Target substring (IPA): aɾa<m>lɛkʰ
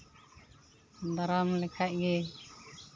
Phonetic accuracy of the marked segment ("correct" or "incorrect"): correct